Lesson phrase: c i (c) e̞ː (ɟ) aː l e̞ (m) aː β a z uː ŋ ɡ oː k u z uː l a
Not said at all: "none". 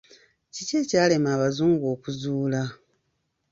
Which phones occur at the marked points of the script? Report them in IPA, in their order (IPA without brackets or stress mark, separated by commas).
c, c, m